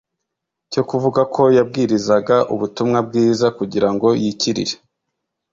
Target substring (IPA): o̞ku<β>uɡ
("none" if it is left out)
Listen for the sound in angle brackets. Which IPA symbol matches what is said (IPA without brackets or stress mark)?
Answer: v